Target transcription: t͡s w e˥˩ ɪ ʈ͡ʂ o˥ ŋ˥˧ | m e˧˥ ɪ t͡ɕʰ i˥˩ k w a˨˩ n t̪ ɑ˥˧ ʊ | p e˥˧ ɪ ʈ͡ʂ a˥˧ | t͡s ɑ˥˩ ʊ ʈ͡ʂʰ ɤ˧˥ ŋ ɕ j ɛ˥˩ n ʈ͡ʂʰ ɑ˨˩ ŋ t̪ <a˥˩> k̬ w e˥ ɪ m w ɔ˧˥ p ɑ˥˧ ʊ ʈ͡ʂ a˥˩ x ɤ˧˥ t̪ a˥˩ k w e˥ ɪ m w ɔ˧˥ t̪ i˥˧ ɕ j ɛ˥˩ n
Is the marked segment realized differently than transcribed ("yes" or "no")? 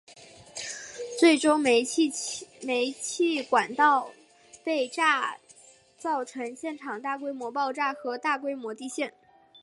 no